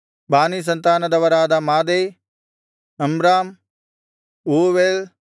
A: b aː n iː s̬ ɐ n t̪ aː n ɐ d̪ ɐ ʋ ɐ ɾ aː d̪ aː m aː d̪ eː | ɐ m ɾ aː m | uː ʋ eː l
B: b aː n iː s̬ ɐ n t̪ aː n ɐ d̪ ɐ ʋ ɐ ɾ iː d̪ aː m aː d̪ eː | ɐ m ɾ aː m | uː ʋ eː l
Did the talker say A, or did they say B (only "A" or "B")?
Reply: A